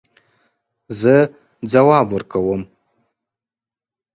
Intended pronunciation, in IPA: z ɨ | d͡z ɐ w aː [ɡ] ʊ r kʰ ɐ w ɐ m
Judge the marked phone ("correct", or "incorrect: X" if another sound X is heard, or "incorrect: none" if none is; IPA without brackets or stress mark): incorrect: b